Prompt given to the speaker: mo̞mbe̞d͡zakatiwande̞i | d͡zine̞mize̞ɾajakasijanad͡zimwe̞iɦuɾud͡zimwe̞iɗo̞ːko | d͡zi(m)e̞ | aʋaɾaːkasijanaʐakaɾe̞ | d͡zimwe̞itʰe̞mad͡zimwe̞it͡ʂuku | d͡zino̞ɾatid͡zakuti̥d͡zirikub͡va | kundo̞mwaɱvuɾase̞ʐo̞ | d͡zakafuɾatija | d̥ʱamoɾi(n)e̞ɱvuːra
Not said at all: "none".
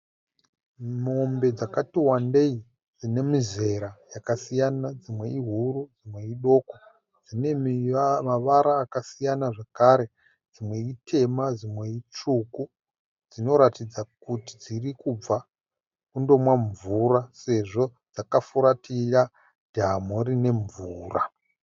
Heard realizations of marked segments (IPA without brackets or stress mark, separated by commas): n, n